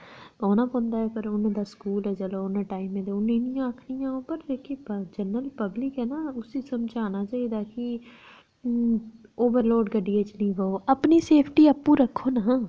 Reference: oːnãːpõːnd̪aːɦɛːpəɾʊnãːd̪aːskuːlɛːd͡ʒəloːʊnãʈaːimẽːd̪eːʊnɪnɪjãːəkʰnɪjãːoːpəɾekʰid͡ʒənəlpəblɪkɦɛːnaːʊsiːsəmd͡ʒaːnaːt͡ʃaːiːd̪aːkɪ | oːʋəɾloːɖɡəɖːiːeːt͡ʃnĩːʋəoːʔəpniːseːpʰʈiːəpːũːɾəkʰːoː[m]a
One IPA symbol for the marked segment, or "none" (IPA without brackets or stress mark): n